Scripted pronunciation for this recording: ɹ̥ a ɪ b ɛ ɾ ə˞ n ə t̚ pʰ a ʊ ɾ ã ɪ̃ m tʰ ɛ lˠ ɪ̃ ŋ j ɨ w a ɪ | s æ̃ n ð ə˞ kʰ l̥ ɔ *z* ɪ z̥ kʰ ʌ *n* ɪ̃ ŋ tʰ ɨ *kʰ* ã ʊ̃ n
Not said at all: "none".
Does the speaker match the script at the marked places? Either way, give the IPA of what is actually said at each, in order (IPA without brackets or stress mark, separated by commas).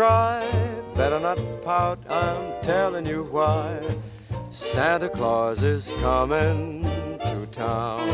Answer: z, m, tʰ